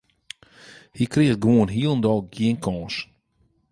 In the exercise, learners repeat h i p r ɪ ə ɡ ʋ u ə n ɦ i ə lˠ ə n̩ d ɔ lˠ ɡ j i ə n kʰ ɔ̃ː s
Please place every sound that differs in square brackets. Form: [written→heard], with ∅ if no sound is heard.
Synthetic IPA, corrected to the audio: h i [p→k] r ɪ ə ɡ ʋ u ə n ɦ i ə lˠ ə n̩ d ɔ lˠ ɡ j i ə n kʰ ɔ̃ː s